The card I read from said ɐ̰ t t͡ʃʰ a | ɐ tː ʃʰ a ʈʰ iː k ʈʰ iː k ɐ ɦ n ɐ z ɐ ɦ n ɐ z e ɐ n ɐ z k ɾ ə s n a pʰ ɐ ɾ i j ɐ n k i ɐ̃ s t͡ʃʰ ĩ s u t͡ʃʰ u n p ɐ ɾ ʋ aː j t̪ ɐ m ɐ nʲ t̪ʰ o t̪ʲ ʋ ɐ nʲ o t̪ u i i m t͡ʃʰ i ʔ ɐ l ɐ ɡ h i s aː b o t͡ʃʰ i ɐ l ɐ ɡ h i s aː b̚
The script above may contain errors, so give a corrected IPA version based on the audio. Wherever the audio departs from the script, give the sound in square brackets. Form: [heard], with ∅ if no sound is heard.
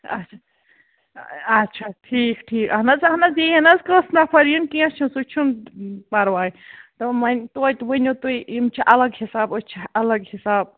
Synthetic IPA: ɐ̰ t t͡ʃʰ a | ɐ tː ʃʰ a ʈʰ iː k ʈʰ iː k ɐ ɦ n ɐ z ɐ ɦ n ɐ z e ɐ n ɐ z k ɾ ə s n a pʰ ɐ ɾ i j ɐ n k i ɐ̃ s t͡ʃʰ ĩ s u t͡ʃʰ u n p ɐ ɾ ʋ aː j t̪ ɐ m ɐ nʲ [t̪] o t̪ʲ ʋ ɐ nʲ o t̪ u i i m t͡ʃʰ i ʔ ɐ l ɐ ɡ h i s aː b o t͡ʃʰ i ɐ l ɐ ɡ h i s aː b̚

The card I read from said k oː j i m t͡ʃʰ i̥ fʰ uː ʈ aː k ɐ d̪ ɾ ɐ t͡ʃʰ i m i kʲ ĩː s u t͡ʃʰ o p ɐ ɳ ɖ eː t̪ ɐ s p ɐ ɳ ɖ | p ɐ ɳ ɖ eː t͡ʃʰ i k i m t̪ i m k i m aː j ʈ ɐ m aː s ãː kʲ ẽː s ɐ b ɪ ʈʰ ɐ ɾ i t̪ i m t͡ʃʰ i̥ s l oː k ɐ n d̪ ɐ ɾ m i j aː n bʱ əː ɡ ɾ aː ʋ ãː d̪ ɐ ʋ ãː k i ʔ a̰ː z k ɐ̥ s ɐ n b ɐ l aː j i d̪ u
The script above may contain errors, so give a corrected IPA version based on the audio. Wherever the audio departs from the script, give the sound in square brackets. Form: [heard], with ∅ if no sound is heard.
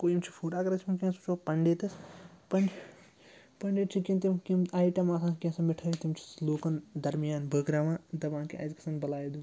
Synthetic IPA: k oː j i m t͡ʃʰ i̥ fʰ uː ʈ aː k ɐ [∅] ɾ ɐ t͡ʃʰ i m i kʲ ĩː s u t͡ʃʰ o p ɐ ɳ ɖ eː t̪ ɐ s p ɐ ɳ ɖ | p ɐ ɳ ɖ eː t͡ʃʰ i k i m t̪ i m k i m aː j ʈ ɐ m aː s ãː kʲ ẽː s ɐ [m] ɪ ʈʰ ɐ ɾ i t̪ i m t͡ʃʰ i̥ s l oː k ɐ n d̪ ɐ ɾ m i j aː n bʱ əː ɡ ɾ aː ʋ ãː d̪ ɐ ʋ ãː k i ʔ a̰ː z k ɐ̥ s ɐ n b ɐ l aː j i d̪ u

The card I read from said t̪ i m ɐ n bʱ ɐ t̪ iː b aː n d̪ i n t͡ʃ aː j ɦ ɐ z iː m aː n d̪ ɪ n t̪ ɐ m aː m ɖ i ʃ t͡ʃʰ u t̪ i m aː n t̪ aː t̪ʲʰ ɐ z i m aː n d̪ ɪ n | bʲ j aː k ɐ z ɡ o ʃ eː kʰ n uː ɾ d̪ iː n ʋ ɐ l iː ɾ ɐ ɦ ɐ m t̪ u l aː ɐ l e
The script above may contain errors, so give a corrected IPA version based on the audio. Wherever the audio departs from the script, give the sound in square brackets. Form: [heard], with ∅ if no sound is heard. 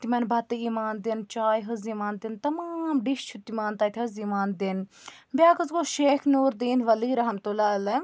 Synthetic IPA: t̪ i m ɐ n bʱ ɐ t̪ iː [m] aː n d̪ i n t͡ʃ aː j ɦ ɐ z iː m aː n d̪ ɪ n t̪ ɐ m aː m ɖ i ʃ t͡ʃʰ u t̪ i m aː n t̪ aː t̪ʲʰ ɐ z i m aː n d̪ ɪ n | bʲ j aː k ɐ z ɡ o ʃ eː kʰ n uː ɾ d̪ iː n ʋ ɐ l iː ɾ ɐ ɦ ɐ m t̪ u l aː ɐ l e

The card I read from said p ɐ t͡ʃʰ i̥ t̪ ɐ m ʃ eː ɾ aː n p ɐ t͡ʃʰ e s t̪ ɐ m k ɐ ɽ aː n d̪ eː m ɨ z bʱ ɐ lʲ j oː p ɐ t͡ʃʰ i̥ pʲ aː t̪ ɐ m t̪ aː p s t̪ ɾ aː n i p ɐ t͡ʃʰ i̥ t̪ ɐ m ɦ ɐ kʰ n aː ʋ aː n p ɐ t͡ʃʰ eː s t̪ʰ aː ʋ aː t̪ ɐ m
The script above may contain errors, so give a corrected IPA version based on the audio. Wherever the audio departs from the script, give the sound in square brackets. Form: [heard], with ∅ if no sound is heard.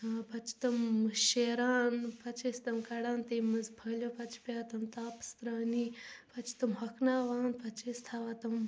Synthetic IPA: p ɐ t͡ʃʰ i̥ t̪ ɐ m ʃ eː ɾ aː n p ɐ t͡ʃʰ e s t̪ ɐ m k ɐ ɽ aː n [t̪] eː m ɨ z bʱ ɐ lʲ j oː p ɐ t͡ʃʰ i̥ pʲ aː t̪ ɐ m t̪ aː p s t̪ ɾ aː n i p ɐ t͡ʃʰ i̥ t̪ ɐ m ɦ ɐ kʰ n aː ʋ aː n p ɐ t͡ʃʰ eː s t̪ʰ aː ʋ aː t̪ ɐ m

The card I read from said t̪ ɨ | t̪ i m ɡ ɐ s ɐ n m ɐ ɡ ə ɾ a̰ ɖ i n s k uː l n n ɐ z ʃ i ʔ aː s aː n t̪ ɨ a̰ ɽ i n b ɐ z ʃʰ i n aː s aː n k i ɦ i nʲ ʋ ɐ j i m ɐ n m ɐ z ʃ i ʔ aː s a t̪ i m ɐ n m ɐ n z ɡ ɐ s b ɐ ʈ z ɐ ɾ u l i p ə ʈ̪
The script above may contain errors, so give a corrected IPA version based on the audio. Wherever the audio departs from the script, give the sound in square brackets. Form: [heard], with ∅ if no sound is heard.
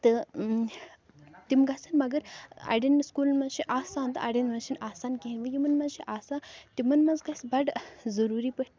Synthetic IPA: t̪ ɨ | t̪ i m ɡ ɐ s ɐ n m ɐ ɡ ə ɾ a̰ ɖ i n s k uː l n [m] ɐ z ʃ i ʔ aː s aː n t̪ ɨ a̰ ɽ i n [m] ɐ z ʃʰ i n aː s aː n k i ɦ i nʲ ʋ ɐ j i m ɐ n m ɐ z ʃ i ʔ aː s a t̪ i m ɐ n m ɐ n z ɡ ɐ s b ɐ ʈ z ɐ ɾ u [ɾ] i p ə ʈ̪

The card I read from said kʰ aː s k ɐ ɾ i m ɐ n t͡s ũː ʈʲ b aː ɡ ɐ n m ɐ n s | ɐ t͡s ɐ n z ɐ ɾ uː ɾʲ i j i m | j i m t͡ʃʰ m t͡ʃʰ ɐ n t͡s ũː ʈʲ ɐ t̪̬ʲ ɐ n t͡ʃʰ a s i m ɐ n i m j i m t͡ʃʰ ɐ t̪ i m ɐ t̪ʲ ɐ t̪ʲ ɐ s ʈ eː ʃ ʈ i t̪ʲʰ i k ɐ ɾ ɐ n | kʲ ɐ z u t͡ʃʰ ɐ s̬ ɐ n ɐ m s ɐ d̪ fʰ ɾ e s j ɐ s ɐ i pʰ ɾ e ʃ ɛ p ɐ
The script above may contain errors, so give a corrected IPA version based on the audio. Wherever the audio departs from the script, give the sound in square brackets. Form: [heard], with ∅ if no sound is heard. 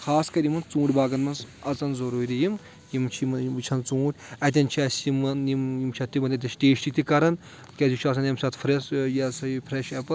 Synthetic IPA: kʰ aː s k ɐ ɾ i m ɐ n t͡s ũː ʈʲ b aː ɡ ɐ n m ɐ n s | ɐ t͡s ɐ n z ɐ ɾ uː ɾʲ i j i m | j i m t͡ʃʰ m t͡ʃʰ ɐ n t͡s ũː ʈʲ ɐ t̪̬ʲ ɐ n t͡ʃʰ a s i m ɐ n i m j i m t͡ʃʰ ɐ t̪ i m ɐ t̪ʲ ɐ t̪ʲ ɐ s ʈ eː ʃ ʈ i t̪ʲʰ i k ɐ ɾ ɐ n | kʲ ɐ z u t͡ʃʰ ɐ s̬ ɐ n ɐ m s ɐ [t̪] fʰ ɾ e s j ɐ s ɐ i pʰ ɾ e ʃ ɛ p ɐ

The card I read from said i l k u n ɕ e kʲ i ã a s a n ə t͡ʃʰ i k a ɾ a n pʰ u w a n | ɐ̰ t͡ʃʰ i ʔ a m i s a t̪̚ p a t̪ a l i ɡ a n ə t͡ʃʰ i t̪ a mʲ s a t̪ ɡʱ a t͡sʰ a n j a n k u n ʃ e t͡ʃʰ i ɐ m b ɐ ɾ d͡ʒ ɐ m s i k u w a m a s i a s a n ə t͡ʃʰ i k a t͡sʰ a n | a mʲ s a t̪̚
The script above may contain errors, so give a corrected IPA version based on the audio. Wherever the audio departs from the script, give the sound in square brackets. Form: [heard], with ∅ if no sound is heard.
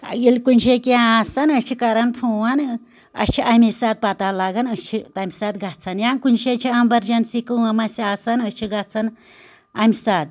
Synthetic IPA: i l k u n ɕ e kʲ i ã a s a n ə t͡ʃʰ i k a ɾ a n pʰ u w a n | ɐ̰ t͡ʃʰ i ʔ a m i s a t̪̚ p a t̪ a l [a] ɡ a n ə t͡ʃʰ i t̪ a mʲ s a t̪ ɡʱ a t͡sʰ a n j a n k u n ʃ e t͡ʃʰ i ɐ m b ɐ ɾ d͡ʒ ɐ [n] s i k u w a m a s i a s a n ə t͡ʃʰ i [ɡ] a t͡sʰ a n | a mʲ s a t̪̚

